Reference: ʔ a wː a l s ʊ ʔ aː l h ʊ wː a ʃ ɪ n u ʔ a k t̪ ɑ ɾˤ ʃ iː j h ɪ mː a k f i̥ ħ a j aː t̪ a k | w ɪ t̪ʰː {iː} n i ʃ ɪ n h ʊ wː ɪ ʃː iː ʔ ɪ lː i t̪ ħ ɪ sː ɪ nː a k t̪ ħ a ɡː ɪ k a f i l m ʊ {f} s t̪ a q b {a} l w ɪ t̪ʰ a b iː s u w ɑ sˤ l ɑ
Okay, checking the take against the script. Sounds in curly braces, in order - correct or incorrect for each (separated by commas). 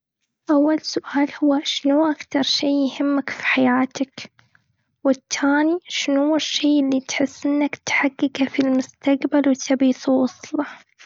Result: incorrect, incorrect, correct